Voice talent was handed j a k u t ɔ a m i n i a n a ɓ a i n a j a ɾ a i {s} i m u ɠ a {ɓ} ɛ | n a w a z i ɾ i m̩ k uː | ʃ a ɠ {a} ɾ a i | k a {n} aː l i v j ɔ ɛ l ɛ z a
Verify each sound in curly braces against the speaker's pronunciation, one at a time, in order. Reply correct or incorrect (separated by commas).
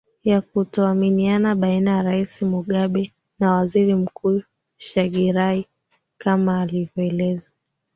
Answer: correct, correct, incorrect, incorrect